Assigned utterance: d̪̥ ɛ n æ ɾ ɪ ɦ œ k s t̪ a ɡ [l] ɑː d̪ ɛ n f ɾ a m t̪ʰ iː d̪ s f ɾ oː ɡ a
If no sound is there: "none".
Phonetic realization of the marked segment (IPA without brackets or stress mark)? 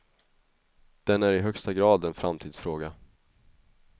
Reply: ɾ